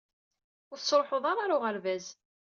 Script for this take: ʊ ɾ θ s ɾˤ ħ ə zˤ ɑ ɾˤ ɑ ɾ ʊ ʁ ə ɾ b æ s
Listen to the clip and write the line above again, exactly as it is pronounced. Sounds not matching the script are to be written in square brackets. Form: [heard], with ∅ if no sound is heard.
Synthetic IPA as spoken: ʊ ɾ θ s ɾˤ ħ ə [ðˤ] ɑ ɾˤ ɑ ɾ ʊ ʁ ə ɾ [v] æ [z]